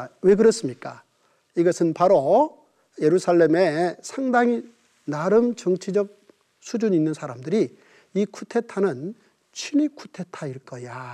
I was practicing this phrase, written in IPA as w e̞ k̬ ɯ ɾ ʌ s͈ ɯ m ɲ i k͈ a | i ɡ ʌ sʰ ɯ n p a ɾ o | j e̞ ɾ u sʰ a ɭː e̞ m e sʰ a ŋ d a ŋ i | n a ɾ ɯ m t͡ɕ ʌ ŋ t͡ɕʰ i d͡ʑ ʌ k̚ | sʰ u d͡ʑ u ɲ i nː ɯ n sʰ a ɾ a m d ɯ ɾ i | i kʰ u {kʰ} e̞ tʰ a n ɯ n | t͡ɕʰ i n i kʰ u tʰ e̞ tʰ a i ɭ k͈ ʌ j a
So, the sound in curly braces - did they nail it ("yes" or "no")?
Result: no